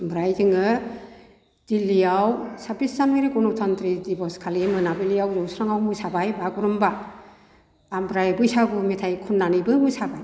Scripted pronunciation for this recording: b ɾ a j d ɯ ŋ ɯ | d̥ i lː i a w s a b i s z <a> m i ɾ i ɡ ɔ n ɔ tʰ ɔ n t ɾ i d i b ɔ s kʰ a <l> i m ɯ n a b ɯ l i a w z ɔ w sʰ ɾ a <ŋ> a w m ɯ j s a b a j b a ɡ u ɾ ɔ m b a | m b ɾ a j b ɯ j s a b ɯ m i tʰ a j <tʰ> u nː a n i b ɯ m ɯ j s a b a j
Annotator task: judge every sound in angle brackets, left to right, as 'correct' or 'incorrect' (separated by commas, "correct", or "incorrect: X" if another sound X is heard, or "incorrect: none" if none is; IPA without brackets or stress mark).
correct, correct, correct, incorrect: kʰ